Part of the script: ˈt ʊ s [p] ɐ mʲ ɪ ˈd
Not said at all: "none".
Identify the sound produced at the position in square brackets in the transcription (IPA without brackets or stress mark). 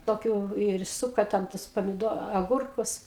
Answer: p